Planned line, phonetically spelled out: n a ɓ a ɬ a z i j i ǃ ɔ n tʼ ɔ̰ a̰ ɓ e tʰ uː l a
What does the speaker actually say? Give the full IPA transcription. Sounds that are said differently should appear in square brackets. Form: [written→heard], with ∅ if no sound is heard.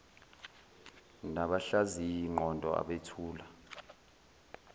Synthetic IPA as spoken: n a ɓ a ɬ a z i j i [ǃ→ŋ͡ǃ] ɔ n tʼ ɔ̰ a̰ ɓ e tʰ uː l a